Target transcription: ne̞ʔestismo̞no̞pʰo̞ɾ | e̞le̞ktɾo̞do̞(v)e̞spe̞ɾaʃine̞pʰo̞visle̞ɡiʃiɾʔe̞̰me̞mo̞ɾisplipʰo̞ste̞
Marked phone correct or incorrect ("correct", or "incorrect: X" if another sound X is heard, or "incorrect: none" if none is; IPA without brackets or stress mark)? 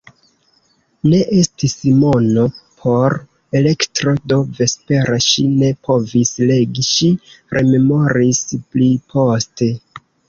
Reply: correct